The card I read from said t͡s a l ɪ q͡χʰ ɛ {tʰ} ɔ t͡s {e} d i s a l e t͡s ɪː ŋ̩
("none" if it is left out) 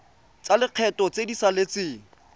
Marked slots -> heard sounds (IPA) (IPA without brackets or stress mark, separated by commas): t, e